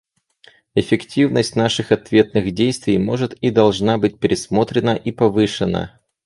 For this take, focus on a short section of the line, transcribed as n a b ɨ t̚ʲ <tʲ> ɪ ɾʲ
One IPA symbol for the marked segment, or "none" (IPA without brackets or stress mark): pʲ